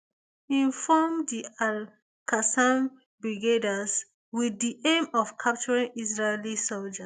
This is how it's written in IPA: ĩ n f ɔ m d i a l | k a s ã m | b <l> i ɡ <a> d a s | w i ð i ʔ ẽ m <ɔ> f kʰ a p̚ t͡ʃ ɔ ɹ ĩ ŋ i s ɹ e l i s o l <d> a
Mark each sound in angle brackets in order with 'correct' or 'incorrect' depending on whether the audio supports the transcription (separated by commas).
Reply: incorrect, incorrect, correct, incorrect